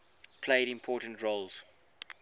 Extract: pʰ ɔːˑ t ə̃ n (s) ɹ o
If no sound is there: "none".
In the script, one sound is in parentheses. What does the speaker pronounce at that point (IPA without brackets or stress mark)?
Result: t